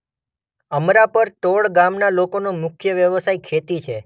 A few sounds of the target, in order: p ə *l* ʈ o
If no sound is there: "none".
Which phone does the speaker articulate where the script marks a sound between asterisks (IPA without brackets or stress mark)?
ɾ